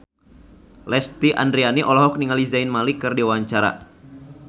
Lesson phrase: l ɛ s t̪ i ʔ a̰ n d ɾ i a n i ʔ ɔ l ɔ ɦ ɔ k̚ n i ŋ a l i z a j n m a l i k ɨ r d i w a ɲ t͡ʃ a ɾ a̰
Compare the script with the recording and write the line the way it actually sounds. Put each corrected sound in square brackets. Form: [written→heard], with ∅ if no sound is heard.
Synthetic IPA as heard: l ɛ s t̪ i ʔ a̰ n d ɾ i a n i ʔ ɔ l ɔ ɦ ɔ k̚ n i ŋ a l i z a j n m a l i k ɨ r d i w a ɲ t͡ʃ a ɾ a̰